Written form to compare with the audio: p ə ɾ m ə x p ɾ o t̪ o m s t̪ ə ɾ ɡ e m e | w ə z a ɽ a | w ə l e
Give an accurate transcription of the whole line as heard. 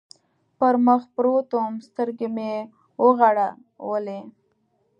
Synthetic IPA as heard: p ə ɾ m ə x p ɾ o t̪ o m s t̪ ə ɾ ɡ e m e | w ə ɣ a ɽ a | w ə l e

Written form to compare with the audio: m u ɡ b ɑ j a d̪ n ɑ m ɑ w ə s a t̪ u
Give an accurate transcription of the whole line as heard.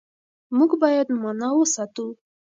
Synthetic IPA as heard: m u ɡ b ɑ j a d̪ m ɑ n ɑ w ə s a t̪ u

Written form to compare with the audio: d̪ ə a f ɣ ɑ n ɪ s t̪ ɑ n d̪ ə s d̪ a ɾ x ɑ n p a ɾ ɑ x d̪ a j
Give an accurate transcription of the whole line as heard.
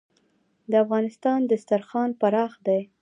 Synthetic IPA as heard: d̪ ə a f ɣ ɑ n ɪ s t̪ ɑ n d̪ ə s t̪ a ɾ x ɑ n p a ɾ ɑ x d̪ a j

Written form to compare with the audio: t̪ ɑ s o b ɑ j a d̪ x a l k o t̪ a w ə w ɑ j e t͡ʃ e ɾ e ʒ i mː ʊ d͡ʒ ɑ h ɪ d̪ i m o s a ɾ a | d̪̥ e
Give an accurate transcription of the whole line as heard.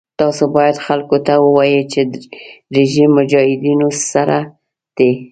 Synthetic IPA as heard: t̪ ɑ s o b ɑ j a d̪ x a l k o t̪ a w ə w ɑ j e t͡ʃ e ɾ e ʒ i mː ʊ d͡ʒ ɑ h ɪ d̪ i n o s a ɾ a | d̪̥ e

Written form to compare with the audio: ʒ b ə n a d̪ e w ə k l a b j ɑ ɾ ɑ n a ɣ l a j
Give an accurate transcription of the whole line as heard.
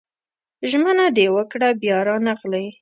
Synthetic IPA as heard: ʒ m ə n a d̪ e w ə k ɽ a b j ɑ ɾ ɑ n a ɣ l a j

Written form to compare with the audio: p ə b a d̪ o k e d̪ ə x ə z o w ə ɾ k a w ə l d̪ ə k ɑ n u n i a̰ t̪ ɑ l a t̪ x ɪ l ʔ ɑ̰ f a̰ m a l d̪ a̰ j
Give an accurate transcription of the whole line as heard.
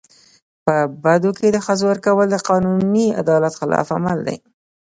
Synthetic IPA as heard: p ə b a d̪ o k e d̪ ə x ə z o w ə ɾ k a w ə l d̪ ə q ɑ n u n i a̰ d̪ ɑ l a t̪ x ɪ l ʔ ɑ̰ f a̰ m a l d̪ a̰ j

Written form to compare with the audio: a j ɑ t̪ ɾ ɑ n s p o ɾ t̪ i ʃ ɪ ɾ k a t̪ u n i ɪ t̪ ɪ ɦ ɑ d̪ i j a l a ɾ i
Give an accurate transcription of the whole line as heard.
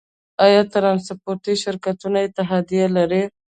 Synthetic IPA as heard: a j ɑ t̪ ɾ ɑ n s p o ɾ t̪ i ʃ ɪ ɾ k a t̪ u n a ɪ t̪ ɪ ɦ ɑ d̪ i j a l a ɾ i

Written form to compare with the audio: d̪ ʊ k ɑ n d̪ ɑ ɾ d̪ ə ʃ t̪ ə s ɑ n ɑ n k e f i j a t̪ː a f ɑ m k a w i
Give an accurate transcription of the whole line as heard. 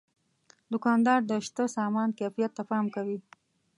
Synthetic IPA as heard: d̪ ʊ k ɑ n d̪ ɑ ɾ d̪ ə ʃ t̪ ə s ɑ m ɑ n k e f i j a t̪ː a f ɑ m k a w i

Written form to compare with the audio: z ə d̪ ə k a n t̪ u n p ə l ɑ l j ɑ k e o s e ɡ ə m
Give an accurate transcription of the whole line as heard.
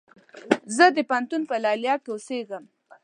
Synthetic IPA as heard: z ə d̪ ə p a n t̪ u n p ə l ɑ l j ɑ k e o s e ɡ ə m

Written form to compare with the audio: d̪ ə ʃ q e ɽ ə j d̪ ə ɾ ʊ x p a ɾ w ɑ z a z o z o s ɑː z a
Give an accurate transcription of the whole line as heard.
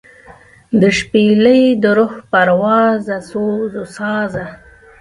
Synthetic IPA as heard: d̪ ə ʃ p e l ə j d̪ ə ɾ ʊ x p a ɾ w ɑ z a s o z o s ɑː z a

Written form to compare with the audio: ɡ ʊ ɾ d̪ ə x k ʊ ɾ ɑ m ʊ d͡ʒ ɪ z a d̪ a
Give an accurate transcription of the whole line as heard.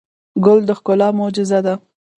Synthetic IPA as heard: ɡ ʊ l d̪ ə x k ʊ l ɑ m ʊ d͡ʒ ɪ z a d̪ a

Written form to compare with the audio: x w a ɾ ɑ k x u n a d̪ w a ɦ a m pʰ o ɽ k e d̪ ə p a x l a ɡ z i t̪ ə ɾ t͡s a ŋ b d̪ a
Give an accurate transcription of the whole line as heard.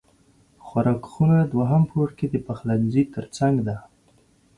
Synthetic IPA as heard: x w a ɾ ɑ k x u n a d̪ w a ɦ a m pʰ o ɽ k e d̪ ə p a x l a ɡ z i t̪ ə ɾ t͡s a ŋ ɡ d̪ a

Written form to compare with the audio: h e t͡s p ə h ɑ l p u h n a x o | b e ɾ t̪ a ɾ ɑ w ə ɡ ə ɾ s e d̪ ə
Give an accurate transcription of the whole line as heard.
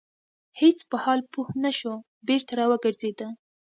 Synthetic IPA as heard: h e t͡s p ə h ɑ l p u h n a ʃ o | b e ɾ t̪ a ɾ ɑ w ə ɡ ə ɾ z e d̪ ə

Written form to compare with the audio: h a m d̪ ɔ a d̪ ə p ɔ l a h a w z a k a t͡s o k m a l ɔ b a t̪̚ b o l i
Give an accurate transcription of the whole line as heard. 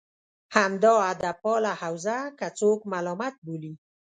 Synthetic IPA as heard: h a m d̪ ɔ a d̪ a p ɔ l a h a w z a k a t͡s o k m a l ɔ m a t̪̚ b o l i

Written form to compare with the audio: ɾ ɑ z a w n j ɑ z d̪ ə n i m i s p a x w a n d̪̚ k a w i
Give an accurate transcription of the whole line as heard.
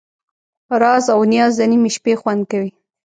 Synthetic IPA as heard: ɾ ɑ z a w n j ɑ z d̪ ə n i m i ʃ p e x w a n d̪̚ k a w i

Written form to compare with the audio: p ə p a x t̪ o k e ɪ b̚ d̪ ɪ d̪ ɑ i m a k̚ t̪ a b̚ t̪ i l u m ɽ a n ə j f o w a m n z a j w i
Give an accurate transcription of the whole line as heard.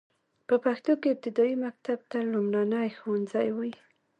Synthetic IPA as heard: p ə p a x t̪ o k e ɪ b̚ t̪ ɪ d̪ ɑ i m a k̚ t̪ a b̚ t̪ a l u m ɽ a n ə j x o w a n z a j w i

